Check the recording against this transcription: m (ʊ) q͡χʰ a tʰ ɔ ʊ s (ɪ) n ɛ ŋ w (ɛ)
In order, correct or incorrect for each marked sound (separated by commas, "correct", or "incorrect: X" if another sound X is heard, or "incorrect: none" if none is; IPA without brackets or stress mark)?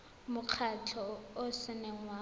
correct, correct, incorrect: a